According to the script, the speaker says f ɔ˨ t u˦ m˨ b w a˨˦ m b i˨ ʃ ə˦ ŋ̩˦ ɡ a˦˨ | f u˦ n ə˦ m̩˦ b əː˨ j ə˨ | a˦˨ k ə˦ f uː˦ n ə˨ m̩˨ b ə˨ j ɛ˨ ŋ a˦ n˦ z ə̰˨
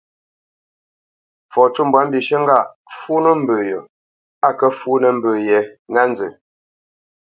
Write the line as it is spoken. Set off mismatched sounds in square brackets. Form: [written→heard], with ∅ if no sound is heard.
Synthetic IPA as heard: f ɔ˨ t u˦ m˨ b w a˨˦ m b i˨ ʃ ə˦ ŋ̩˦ ɡ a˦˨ | f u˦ n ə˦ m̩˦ b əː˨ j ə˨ | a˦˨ k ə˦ f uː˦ n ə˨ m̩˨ b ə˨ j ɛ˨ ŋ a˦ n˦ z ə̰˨